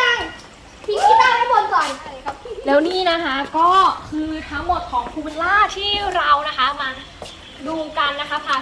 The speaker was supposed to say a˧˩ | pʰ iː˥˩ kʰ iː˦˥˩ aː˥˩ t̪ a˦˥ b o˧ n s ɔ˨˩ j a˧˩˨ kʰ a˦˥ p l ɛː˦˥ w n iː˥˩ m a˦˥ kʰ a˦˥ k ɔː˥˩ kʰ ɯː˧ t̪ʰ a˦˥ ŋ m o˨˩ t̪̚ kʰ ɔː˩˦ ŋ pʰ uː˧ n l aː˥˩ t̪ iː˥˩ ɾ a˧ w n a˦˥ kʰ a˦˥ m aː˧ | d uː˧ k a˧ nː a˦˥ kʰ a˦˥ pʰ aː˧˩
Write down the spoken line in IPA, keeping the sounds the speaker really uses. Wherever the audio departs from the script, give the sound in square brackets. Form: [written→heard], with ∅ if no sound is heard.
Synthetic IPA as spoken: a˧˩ | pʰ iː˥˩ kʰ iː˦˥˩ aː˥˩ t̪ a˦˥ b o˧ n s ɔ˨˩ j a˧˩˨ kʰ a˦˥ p l ɛː˦˥ w n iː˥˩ [m→n] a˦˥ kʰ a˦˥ k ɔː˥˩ kʰ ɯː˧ t̪ʰ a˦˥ ŋ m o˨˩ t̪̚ kʰ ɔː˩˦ ŋ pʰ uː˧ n l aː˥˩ [t̪→t̪ʰ] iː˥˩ ɾ a˧ w n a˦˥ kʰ a˦˥ m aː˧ | d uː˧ k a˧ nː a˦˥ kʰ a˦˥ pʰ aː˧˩